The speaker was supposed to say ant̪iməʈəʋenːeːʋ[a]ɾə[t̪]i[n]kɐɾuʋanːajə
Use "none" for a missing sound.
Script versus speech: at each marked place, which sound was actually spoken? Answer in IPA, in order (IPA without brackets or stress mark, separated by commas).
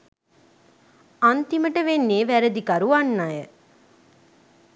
æ, d̪, none